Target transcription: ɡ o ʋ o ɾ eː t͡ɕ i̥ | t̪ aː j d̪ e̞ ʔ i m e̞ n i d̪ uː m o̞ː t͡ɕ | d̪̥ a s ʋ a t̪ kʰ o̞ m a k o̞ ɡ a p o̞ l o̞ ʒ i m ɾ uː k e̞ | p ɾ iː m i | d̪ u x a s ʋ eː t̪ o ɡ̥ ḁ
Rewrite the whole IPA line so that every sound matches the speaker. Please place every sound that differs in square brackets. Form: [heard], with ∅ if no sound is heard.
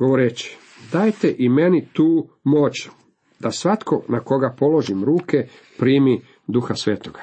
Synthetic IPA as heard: ɡ o ʋ o ɾ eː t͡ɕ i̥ | [d̪] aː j [t̪] e̞ ʔ i m e̞ n i [t̪] uː m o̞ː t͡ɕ | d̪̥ a s ʋ a t̪ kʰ o̞ [n] a k o̞ ɡ a p o̞ l o̞ ʒ i m ɾ uː k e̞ | p ɾ iː m i | d̪ u x a s ʋ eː t̪ o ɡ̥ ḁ